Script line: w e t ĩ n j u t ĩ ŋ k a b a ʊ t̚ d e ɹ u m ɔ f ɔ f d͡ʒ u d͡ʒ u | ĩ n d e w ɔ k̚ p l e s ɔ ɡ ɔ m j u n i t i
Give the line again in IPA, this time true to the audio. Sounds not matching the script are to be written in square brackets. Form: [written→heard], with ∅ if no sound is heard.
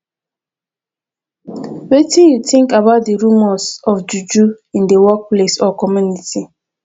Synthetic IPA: w e t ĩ n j u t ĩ ŋ k a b a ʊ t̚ d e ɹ u m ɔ [f→s] ɔ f d͡ʒ u d͡ʒ u | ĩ n d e w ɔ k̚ p l e s ɔ [ɡ→k] ɔ m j u n i t i